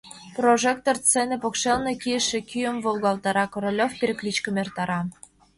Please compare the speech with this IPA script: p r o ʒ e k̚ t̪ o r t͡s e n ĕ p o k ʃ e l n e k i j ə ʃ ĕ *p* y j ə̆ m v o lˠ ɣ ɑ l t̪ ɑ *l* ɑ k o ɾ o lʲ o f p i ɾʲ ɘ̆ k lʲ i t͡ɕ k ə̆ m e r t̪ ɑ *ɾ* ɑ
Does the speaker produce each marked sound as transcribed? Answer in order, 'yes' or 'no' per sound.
no, no, yes

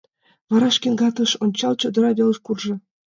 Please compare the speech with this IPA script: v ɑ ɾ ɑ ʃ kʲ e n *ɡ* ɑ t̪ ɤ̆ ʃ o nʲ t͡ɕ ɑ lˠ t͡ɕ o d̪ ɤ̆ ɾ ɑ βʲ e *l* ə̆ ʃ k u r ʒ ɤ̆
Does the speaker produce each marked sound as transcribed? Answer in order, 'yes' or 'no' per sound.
yes, yes

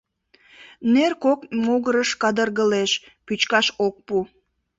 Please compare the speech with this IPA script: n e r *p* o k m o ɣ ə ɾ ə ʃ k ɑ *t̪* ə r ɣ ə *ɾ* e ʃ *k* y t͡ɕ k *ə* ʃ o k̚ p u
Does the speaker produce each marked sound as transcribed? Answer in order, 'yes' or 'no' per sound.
no, no, no, no, no

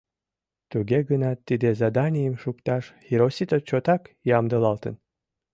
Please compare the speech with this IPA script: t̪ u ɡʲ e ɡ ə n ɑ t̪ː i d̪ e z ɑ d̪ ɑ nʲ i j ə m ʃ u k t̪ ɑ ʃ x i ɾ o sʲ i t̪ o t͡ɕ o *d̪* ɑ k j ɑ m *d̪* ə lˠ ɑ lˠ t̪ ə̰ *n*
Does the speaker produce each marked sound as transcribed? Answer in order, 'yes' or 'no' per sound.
no, yes, yes

